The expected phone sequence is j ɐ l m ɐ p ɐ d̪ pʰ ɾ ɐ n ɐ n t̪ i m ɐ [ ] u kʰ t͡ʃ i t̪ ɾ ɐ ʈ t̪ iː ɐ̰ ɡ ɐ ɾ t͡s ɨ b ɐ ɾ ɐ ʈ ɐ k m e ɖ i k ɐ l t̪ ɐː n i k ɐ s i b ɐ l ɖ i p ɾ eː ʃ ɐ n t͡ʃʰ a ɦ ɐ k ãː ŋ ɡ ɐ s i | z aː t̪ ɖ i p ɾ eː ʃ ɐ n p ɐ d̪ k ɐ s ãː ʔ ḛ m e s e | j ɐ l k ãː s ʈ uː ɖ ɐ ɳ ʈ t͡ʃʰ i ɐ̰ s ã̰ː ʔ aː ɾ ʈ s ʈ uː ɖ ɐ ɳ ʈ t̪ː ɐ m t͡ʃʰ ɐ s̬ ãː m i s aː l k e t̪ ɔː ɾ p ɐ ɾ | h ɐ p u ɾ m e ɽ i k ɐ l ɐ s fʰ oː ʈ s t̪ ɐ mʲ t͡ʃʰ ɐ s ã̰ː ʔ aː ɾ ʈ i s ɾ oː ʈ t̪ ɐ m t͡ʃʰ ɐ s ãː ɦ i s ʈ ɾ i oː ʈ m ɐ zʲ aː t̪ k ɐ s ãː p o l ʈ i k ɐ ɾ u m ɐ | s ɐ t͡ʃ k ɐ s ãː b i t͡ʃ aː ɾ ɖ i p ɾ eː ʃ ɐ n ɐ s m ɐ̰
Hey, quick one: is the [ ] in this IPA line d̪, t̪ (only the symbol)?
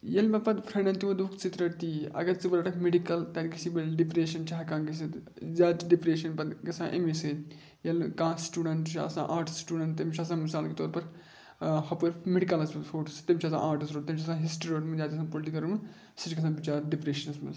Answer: d̪